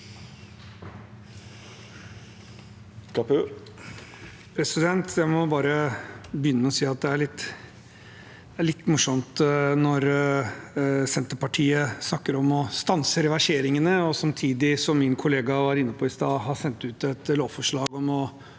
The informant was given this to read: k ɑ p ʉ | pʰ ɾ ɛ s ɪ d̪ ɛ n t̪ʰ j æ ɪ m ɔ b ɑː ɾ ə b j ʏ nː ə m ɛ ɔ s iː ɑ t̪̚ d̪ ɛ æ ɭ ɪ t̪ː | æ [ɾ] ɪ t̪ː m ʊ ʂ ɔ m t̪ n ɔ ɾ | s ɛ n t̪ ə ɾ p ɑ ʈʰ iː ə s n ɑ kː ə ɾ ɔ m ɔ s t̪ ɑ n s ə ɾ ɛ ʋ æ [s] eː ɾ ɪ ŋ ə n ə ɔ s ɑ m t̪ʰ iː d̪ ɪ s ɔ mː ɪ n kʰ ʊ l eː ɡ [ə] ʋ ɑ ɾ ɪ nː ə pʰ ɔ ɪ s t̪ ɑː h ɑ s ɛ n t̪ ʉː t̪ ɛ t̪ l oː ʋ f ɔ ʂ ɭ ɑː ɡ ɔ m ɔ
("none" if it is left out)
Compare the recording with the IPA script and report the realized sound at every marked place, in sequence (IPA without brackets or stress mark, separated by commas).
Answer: ɭ, ʂ, ɑ